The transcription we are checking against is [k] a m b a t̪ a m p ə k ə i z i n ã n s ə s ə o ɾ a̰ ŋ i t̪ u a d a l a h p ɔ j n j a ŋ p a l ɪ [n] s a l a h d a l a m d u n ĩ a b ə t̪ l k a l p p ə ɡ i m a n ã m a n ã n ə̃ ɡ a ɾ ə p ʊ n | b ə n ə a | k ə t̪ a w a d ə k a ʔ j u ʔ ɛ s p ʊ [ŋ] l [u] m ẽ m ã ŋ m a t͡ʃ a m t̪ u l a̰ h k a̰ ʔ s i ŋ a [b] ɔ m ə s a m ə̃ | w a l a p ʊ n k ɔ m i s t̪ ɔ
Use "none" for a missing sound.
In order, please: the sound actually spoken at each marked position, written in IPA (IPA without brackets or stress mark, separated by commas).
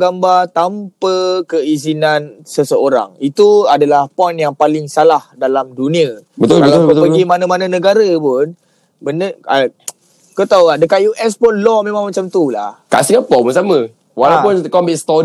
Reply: ɡ, ŋ, n, ɔ, p